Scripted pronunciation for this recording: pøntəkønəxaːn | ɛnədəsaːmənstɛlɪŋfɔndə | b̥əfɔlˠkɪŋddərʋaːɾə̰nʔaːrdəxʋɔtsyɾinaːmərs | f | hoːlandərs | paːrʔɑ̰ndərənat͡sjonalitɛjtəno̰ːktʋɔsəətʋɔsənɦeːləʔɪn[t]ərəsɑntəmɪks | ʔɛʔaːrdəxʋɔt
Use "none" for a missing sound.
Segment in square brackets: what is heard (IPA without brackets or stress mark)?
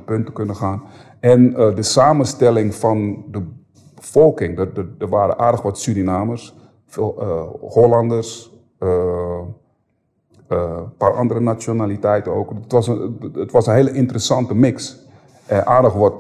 t